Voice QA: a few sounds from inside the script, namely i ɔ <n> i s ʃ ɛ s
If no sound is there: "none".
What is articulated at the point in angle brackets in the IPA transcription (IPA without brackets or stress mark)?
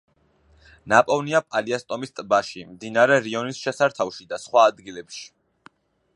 n